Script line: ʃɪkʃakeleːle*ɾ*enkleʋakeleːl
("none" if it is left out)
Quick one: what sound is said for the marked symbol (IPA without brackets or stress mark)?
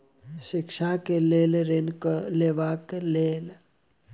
ɾ